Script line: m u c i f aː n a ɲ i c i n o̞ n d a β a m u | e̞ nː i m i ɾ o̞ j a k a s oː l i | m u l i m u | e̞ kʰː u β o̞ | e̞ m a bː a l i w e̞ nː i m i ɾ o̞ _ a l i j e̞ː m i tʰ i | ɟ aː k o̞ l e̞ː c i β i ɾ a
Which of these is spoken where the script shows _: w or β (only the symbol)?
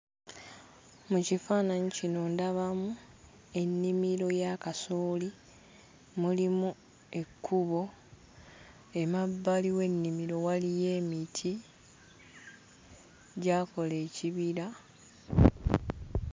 w